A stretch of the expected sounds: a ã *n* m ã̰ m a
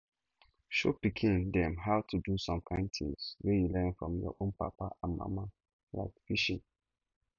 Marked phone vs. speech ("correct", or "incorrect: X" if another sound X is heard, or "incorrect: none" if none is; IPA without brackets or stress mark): correct